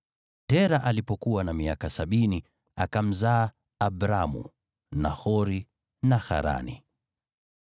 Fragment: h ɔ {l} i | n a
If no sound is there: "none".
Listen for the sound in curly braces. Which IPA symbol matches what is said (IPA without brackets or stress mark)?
ɾ